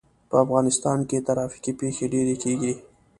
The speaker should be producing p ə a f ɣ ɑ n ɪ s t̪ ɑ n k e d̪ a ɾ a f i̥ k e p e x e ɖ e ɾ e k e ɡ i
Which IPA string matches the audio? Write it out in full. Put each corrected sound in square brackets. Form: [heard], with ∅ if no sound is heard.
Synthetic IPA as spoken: p ə a f ɣ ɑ n ɪ s t̪ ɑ n k e [t̪] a ɾ [ɑ] f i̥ k [i] p e x e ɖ e ɾ e k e ɡ i